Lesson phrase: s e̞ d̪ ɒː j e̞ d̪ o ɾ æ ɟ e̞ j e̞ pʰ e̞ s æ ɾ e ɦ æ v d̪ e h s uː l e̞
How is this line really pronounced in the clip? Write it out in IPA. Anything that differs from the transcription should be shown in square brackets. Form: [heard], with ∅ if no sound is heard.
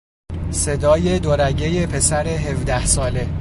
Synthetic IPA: s e̞ d̪ ɒː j e̞ d̪ o ɾ æ ɟ e̞ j e̞ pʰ e̞ s æ ɾ e ɦ [e] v d̪ [æ] h s [ɒː] l e̞